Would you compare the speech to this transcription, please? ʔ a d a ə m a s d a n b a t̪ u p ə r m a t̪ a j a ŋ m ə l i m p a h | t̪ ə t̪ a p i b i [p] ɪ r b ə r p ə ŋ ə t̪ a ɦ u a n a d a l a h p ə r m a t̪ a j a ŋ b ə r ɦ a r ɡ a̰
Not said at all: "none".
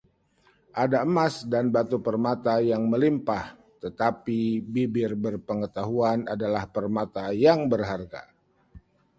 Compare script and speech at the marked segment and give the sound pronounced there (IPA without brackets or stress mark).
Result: b